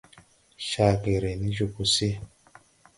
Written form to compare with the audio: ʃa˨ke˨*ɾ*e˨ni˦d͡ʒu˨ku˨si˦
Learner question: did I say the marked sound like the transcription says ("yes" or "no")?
yes